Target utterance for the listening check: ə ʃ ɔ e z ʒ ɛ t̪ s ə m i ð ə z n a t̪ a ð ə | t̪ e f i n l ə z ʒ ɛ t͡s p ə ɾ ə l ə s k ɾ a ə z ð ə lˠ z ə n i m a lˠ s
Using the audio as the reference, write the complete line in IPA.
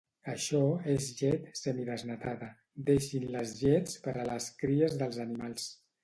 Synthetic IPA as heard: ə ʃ ɔ e z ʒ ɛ t̪ s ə m i ð ə z n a t̪ a ð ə | d̪ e ʃ i n l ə z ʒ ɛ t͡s p ə ɾ ə l ə s k ɾ i ə z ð ə lˠ z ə n i m a lˠ s